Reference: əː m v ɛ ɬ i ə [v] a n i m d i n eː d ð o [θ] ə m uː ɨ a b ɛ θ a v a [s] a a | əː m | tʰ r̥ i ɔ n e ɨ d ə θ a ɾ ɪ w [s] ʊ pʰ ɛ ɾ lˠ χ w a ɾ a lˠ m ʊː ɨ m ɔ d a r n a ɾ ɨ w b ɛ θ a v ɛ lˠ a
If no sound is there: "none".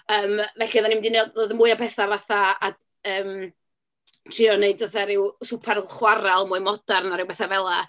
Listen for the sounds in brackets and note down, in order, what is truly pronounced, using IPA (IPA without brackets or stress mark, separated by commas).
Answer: ð, ð, θ, s